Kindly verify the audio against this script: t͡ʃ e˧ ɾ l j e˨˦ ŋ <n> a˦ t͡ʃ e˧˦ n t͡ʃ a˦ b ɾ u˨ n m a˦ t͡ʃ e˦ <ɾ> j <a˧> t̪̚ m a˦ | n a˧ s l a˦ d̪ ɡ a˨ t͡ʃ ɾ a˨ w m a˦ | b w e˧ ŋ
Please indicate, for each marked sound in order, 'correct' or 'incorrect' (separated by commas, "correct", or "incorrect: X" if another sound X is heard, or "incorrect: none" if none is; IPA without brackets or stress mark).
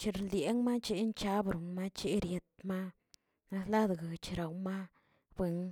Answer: incorrect: m, correct, incorrect: e˧